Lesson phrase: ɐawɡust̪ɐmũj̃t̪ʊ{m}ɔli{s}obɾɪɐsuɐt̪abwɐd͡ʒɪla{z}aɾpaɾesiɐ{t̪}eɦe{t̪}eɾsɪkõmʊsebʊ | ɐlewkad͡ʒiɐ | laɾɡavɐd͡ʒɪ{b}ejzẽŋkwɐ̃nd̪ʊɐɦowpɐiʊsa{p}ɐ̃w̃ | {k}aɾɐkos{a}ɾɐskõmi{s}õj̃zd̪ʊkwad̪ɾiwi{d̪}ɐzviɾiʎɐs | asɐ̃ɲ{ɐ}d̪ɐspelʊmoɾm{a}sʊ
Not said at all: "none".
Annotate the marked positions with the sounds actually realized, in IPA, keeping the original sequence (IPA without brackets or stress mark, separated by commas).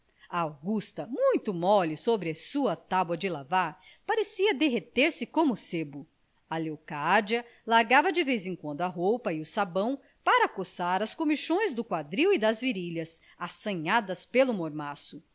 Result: m, s, v, d̪, t̪, v, b, p, a, ʃ, d̪, a, a